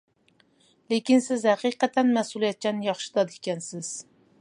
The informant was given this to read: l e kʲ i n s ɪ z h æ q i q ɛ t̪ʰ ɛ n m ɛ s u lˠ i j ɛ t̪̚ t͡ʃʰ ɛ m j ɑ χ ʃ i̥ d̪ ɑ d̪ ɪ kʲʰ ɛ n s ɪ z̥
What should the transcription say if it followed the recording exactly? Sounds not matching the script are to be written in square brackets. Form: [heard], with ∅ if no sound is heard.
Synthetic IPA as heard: l e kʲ i n s ɪ z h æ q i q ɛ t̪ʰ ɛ n m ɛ s u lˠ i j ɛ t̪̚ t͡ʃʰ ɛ [n] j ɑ χ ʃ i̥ d̪ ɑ d̪ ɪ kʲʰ ɛ n s ɪ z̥